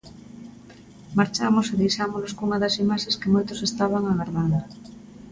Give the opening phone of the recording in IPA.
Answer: m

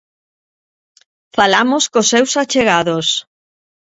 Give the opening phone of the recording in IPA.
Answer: f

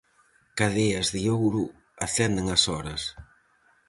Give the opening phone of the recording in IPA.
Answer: k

